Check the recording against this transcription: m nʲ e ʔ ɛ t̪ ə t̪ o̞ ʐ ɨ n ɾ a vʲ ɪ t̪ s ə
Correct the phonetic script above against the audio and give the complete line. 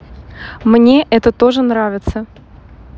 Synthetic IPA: m nʲ e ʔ ɛ t̪ ə t̪ o̞ ʐ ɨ n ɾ a vʲ ɪ t̪ s ə